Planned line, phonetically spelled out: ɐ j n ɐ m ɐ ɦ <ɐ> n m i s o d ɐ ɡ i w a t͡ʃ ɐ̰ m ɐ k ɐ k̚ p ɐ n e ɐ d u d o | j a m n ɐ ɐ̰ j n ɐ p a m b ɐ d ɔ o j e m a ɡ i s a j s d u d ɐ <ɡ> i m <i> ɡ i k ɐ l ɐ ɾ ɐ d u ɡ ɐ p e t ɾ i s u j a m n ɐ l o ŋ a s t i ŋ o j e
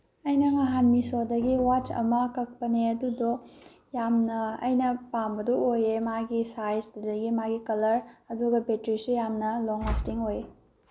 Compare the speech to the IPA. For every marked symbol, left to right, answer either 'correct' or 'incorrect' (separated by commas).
incorrect, correct, incorrect